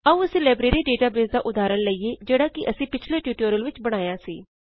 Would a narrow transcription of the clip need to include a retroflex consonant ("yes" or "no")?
yes